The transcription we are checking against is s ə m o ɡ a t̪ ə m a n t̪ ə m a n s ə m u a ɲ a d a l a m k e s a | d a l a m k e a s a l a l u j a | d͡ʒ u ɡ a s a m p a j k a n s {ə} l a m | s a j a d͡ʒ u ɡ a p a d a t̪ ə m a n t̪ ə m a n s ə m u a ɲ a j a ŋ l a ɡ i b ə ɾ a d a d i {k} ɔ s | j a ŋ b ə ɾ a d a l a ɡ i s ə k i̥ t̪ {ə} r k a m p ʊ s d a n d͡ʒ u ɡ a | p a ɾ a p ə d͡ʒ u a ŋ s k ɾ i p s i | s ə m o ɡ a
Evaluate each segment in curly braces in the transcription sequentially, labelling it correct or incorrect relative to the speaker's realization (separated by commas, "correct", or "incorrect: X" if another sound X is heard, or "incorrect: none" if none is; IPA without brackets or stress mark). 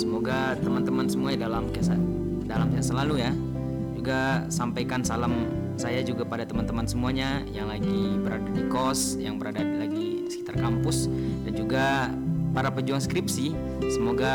incorrect: a, correct, incorrect: a